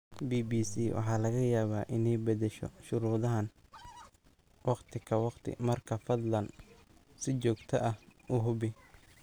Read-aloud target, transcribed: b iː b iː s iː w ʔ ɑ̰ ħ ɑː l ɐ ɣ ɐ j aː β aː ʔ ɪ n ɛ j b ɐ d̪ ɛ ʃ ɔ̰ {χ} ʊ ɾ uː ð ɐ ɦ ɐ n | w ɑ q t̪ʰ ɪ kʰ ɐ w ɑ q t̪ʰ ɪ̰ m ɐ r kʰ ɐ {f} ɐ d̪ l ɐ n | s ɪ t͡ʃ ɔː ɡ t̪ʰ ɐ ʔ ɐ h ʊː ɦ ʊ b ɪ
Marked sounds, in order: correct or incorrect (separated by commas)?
incorrect, correct